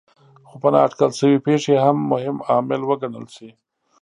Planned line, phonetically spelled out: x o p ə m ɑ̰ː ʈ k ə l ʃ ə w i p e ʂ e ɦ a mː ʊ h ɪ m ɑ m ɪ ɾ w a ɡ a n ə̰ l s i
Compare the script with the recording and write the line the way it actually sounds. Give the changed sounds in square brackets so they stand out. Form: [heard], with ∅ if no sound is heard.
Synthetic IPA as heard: x o p ə [n] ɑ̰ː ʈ k ə l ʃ ə w i p e ʂ e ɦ a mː ʊ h ɪ m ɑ m ɪ [l] w [ə] ɡ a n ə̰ l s i